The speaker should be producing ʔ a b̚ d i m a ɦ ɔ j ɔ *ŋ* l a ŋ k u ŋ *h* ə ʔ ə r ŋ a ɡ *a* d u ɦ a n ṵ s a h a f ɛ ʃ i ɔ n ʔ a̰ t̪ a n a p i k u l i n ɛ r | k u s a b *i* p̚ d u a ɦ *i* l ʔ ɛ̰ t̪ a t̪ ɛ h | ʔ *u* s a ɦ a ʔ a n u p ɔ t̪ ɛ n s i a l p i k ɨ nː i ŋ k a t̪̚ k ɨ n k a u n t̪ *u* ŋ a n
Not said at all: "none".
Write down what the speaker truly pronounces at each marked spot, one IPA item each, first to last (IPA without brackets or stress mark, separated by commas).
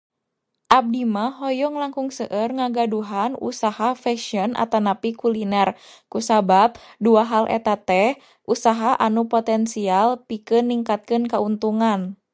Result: ŋ, s, a, a, a, u, u